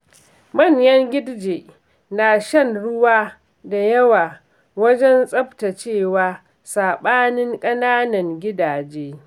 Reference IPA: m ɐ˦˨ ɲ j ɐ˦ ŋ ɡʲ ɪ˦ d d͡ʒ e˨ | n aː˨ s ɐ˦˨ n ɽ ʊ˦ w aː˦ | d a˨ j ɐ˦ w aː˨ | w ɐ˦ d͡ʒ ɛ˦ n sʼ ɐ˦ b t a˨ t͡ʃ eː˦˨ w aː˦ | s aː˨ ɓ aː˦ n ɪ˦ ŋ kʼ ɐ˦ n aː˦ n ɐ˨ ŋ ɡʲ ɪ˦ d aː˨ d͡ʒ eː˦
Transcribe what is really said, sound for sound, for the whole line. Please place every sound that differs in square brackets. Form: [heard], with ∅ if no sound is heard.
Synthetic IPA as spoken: m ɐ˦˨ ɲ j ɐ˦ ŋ ɡʲ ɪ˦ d d͡ʒ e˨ | n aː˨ [ʃ] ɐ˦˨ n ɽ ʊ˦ w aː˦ | d a˨ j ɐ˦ w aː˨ | w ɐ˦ d͡ʒ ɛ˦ n sʼ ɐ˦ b t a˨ t͡ʃ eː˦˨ w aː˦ | s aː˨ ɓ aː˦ n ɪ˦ ŋ kʼ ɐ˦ n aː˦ n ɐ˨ ŋ ɡʲ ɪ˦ d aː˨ d͡ʒ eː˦